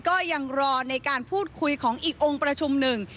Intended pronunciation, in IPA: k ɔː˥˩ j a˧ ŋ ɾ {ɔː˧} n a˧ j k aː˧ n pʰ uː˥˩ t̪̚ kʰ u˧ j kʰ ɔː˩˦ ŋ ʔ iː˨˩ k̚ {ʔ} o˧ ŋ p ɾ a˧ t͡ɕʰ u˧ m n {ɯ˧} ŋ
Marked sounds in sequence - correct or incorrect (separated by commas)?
correct, correct, incorrect